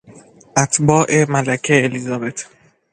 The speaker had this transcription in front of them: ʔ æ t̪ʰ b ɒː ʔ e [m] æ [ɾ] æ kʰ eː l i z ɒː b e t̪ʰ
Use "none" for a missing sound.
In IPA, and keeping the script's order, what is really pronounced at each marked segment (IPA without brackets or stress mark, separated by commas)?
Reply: m, l